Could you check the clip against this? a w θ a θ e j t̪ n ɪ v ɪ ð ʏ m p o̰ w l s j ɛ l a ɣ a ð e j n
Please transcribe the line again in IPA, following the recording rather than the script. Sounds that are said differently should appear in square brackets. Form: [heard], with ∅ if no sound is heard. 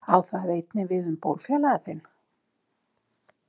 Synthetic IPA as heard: a w θ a [ð] e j t̪ n ɪ v ɪ ð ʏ m p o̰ w l [f] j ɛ l a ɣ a [θ] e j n